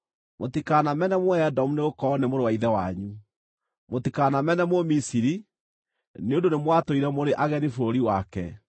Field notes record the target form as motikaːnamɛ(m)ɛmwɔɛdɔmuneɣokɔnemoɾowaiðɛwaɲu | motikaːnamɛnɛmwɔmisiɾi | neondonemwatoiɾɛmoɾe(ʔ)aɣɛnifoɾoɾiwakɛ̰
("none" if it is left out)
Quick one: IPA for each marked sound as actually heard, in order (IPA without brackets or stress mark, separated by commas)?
n, ʔ